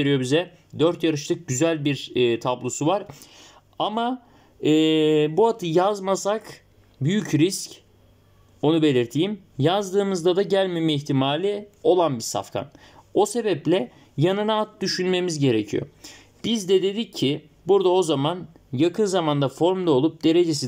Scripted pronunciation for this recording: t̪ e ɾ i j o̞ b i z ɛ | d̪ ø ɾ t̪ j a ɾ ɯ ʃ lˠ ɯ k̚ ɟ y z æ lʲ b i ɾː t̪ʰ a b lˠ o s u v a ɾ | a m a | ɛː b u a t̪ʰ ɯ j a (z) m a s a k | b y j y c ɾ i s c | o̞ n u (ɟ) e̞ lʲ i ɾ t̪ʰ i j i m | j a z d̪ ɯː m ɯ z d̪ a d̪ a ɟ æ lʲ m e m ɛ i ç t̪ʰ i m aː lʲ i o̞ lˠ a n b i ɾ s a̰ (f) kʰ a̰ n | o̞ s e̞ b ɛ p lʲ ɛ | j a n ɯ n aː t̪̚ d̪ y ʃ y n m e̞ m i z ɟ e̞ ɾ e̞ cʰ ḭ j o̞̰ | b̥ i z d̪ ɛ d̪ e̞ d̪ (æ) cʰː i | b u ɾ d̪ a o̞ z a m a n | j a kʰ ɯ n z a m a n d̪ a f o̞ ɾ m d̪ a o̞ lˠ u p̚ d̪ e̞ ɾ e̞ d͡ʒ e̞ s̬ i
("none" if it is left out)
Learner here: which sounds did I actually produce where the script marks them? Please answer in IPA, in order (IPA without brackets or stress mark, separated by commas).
z, b, f, i